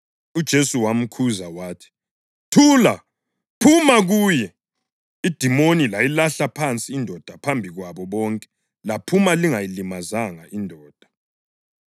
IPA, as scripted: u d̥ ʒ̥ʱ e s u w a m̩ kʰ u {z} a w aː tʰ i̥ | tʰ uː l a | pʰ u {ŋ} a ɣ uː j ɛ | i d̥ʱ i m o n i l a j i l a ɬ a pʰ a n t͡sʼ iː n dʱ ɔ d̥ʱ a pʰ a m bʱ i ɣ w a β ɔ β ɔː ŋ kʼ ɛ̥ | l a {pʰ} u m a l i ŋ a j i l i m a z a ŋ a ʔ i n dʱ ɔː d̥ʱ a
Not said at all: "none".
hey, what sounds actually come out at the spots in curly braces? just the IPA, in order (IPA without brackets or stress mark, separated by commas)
z, m, pʰ